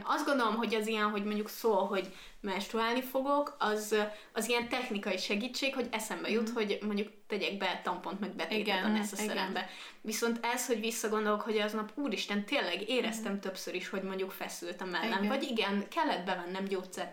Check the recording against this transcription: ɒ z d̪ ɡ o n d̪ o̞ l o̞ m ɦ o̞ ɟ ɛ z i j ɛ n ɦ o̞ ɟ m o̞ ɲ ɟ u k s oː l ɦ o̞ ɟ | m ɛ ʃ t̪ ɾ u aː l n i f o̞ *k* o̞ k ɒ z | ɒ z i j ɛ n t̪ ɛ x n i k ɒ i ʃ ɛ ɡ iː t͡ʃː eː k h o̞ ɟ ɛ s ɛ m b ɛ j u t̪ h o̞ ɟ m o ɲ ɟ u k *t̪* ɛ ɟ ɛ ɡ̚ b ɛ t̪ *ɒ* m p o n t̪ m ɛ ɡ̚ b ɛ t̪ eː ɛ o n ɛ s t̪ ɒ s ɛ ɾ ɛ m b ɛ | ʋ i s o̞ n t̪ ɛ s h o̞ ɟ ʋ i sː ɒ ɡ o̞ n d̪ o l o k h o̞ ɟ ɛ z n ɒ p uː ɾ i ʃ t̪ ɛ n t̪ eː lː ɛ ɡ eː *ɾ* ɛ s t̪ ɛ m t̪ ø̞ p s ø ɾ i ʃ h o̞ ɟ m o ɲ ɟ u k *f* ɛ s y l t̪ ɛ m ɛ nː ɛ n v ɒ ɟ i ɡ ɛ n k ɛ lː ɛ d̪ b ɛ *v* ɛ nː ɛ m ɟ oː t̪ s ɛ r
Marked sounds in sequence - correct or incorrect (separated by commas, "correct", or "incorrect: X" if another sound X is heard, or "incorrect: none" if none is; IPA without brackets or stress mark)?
incorrect: ɡ, correct, correct, correct, correct, correct